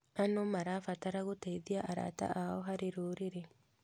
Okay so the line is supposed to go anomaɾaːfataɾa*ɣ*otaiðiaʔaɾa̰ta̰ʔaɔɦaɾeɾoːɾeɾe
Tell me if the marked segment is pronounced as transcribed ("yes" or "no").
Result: yes